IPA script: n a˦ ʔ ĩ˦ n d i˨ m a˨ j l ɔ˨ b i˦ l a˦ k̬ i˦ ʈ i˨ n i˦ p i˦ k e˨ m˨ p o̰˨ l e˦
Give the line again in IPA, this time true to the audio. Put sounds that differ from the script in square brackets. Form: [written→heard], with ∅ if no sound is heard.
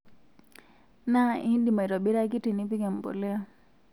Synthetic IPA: n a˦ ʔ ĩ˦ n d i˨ m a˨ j [l→ɾ] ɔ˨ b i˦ [l→ɾ] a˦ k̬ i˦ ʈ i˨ n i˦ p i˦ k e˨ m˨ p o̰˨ l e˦